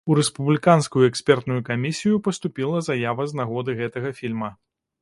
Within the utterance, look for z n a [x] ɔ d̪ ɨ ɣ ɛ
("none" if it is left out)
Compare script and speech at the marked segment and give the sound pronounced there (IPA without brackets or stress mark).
ɣ